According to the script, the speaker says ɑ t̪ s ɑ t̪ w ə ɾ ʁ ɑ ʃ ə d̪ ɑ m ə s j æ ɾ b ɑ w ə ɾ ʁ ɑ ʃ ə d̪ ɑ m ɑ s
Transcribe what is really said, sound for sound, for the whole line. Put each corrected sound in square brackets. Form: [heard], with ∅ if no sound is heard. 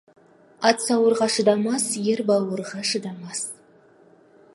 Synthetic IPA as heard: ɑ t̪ s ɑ [∅] w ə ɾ ʁ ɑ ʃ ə d̪ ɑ m [ɑ] s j [e] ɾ b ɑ w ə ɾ ʁ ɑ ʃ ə d̪ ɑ m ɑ s